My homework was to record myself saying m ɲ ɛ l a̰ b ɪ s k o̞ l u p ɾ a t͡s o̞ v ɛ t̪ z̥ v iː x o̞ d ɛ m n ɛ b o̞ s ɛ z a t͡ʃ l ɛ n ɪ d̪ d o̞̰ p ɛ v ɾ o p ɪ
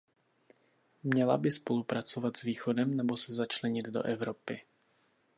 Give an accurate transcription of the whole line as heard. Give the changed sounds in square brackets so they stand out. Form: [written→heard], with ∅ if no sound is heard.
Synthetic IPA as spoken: m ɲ ɛ l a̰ b ɪ s [k→p] o̞ l u p ɾ a t͡s o̞ v [ɛ→a] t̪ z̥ v iː x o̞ d ɛ m n ɛ b o̞ s ɛ z a t͡ʃ l ɛ [n→ɲ] ɪ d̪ d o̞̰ [p→ʔ] ɛ v ɾ o p ɪ